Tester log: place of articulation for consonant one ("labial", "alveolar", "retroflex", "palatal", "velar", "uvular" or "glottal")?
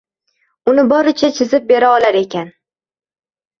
alveolar